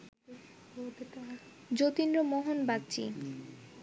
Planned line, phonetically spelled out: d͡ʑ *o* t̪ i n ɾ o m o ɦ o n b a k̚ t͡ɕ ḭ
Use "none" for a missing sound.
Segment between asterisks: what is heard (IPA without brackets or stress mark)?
o